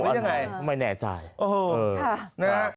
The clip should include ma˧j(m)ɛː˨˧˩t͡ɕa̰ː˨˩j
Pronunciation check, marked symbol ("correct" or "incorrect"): incorrect